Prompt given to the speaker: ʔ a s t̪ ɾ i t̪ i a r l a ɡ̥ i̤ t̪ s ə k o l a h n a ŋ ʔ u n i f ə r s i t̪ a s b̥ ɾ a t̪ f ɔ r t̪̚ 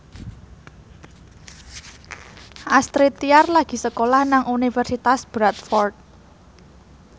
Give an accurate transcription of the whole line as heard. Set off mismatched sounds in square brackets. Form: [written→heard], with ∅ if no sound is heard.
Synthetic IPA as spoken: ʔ a s t̪ ɾ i t̪ i a r l a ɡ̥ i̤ [t̪→∅] s ə k o l a h n a ŋ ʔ u n i f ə r s i t̪ a s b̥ ɾ a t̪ f ɔ r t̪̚